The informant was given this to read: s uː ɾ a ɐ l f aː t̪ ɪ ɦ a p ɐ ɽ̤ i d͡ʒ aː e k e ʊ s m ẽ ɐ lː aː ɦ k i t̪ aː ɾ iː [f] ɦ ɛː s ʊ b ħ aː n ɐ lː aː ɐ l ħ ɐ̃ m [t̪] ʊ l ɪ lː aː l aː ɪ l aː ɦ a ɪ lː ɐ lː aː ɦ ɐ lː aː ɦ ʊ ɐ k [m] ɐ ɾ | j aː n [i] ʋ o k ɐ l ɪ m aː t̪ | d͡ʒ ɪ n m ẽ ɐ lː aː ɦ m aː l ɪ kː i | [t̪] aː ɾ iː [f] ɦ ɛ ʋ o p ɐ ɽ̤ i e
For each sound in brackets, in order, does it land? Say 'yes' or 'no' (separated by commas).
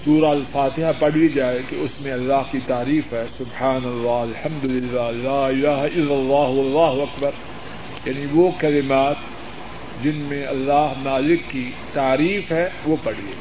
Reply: yes, no, no, yes, yes, yes